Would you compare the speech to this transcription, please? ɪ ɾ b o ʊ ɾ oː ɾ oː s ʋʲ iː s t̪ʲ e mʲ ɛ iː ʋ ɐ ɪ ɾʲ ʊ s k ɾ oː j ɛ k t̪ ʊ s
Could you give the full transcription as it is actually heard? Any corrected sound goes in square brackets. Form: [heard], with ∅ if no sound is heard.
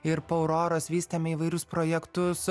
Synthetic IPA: ɪ ɾ [p] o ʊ ɾ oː ɾ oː s ʋʲ iː s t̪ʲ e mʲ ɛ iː ʋ ɐ ɪ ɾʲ ʊ s [p] ɾ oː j ɛ k t̪ ʊ s